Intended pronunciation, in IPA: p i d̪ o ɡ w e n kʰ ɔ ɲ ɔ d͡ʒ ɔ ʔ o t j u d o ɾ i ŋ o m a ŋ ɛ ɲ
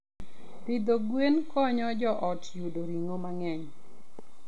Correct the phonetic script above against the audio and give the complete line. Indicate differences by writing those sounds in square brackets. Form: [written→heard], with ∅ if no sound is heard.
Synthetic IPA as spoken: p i d̪ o ɡ w e n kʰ ɔ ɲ ɔ d͡ʒ ɔ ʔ [o→ɔ] t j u d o ɾ i ŋ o m a ŋ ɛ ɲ

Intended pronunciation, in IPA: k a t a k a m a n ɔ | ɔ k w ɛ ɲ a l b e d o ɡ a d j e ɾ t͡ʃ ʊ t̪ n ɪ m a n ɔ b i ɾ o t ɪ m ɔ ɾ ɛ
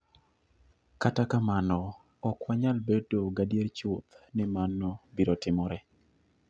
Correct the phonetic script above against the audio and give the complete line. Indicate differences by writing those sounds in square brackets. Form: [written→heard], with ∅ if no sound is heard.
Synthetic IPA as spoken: k a t a k a m a n ɔ | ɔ k w [ɛ→a] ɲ a l b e d o ɡ a d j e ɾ t͡ʃ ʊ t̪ n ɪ m a n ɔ b i ɾ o t ɪ m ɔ ɾ ɛ

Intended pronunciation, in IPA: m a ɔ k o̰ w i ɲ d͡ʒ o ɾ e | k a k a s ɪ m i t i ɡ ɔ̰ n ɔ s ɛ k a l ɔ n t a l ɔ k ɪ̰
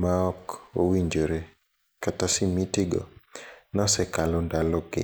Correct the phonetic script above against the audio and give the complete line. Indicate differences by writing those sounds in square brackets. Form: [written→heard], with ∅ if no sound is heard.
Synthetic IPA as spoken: m a ɔ k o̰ w i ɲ d͡ʒ o ɾ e | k a [k→t] a s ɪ m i t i ɡ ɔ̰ n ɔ s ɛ k a l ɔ n [t→d] a l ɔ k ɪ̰

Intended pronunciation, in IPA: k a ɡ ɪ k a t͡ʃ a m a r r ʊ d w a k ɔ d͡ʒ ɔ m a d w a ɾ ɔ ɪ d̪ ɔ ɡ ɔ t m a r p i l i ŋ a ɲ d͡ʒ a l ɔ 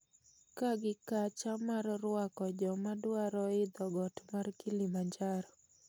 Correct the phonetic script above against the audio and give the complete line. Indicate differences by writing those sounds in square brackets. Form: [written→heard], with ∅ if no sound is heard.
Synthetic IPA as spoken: k a ɡ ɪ k a t͡ʃ a m a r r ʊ [d→∅] w a k ɔ d͡ʒ ɔ m a d w a ɾ ɔ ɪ d̪ ɔ ɡ ɔ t m a r [p→k] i l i [ŋ→m] a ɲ d͡ʒ a [l→ɾ] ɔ

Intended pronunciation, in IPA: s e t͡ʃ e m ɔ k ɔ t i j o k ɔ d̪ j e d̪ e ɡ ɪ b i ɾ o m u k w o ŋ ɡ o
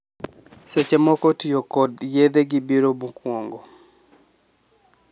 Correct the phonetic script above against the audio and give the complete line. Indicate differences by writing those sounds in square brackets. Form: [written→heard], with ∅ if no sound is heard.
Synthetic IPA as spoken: s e t͡ʃ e m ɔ k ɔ t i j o k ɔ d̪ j e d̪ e ɡ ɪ b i ɾ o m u k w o ŋ ɡ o

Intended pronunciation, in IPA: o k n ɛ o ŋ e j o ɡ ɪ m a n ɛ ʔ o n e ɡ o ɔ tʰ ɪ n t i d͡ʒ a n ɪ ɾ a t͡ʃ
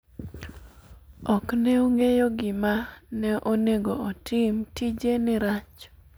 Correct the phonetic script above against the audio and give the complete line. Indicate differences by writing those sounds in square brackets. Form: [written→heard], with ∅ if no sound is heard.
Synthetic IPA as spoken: [o→ɔ] k n ɛ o ŋ e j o ɡ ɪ m a n ɛ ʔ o n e ɡ o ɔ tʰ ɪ [n→m] t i d͡ʒ [a→e] n ɪ ɾ a t͡ʃ

